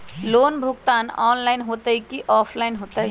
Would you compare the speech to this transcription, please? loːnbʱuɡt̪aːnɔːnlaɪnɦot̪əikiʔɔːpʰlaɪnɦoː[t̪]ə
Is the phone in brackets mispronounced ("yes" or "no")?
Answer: no